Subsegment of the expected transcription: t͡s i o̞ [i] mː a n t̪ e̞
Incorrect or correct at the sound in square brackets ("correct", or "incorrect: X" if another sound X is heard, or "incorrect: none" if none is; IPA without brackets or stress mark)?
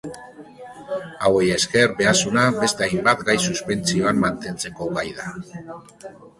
incorrect: a